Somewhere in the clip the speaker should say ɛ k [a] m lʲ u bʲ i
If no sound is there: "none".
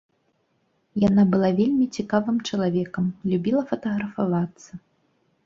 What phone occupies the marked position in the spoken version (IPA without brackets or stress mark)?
ɐ